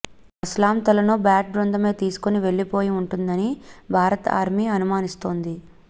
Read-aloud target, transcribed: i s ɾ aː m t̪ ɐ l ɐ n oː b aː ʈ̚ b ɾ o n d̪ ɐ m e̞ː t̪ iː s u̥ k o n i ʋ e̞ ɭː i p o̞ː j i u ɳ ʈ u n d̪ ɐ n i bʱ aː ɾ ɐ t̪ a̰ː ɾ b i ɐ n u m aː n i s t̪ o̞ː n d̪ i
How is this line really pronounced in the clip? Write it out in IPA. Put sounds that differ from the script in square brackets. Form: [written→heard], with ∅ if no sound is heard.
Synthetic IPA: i s [ɾ→l] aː m t̪ ɐ l ɐ n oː b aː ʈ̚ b ɾ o n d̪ ɐ m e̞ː t̪ iː s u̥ k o n i ʋ e̞ ɭː i p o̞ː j i u ɳ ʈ u n d̪ ɐ n i bʱ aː ɾ ɐ t̪ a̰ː ɾ [b→m] i ɐ n u m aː n i s t̪ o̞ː n d̪ i